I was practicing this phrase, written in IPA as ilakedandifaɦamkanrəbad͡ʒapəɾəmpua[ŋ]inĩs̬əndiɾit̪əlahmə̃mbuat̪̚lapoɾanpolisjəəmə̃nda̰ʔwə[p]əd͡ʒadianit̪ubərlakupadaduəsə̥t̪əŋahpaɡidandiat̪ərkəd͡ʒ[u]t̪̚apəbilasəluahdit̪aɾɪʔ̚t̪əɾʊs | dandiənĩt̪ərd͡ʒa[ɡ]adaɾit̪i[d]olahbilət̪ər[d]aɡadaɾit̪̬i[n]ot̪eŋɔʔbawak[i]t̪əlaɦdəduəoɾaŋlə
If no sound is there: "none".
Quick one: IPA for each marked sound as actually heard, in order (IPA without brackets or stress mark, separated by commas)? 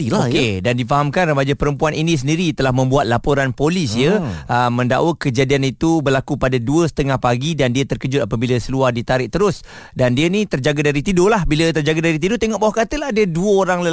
n, k, ʊ, ɡ, d, d͡ʒ, d, a